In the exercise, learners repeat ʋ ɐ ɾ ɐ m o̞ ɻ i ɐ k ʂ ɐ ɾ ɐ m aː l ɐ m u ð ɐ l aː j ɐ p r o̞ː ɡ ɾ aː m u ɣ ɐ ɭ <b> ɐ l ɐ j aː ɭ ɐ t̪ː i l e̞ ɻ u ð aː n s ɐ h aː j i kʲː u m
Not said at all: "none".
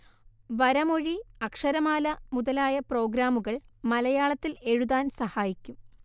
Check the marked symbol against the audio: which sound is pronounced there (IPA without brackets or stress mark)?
m